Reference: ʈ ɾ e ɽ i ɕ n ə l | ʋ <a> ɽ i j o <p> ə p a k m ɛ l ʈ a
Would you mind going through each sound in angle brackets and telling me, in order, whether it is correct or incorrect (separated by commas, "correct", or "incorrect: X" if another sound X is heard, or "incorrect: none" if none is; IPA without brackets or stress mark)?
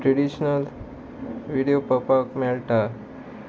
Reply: incorrect: i, correct